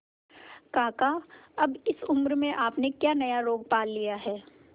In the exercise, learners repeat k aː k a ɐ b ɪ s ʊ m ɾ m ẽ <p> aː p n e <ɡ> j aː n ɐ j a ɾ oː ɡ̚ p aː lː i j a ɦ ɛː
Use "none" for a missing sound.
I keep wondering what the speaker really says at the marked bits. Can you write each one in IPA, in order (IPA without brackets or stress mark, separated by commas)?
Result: ʔ, k